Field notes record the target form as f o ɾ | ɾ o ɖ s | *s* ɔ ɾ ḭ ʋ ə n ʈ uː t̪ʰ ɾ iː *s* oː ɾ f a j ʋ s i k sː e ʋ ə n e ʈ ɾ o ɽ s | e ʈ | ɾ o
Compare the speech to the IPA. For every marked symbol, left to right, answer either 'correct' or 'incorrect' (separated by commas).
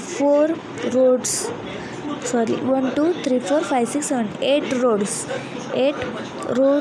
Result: correct, incorrect